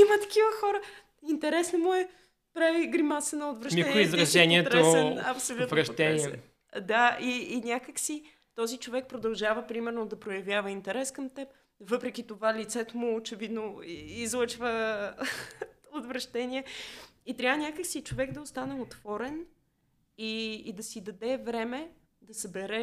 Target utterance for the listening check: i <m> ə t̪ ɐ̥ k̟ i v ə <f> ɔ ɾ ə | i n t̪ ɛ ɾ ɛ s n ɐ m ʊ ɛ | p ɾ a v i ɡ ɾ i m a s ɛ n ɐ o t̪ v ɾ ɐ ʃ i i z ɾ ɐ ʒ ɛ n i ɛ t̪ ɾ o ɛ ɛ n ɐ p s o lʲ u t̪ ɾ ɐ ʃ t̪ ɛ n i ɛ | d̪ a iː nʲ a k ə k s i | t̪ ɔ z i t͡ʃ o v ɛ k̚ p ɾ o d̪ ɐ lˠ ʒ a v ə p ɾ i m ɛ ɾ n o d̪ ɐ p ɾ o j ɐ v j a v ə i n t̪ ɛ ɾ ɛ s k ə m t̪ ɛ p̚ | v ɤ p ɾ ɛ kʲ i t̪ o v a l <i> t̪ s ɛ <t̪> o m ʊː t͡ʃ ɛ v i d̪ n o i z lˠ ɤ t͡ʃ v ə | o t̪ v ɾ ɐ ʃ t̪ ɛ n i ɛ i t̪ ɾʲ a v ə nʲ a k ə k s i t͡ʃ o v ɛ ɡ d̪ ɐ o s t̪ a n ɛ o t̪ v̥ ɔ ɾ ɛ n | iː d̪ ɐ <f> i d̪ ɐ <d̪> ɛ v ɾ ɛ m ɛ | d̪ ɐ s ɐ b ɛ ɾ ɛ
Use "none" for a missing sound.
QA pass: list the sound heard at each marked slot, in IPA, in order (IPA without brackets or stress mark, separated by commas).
m, x, i, t̪, s, d̪